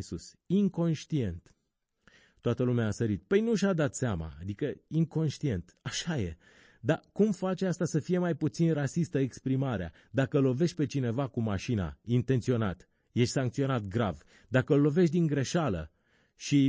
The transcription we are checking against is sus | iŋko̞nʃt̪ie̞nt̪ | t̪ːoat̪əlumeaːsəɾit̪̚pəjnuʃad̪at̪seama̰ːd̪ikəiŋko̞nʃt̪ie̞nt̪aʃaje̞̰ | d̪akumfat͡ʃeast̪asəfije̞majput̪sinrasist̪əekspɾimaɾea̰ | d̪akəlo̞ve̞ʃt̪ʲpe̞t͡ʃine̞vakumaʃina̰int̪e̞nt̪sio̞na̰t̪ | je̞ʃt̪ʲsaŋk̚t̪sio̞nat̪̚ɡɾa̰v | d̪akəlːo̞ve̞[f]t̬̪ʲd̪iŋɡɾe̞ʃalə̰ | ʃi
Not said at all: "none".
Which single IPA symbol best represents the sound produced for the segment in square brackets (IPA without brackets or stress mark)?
ʃ